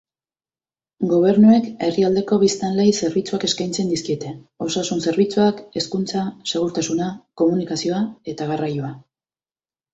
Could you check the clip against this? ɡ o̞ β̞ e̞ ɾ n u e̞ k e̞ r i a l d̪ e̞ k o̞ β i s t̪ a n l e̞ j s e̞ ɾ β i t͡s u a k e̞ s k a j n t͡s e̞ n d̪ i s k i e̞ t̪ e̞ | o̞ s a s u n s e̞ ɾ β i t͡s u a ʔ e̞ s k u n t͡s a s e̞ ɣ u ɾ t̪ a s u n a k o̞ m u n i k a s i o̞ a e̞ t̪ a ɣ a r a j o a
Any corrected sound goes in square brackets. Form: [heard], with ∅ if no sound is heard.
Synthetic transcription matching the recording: ɡ o̞ β̞ e̞ ɾ n u e̞ k e̞ r i a l d̪ e̞ k o̞ β i s t̪ a n l e̞ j s e̞ ɾ β i t͡s u a k e̞ s k a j n t͡s e̞ n d̪ i s k i e̞ t̪ e̞ | o̞ s a s u n s e̞ ɾ β i t͡s u a [k] e̞ s k u n t͡s a s e̞ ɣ u ɾ t̪ a s u n a k o̞ m u n i k a s i o̞ a e̞ t̪ a ɣ a r a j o a